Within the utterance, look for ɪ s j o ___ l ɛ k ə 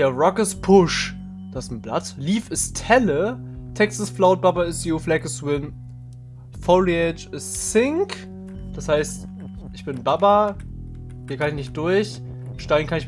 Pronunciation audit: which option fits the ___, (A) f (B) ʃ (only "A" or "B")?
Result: A